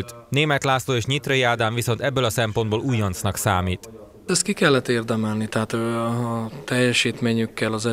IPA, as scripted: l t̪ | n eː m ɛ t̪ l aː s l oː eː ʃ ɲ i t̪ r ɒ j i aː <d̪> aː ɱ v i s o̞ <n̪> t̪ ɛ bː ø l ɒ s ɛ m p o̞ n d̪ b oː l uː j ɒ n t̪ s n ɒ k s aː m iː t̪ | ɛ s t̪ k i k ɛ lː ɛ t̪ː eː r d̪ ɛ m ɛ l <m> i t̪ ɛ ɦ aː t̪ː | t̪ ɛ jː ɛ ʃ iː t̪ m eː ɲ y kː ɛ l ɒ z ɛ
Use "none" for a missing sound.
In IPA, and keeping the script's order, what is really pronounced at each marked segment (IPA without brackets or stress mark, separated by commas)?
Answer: d̪, n̪, n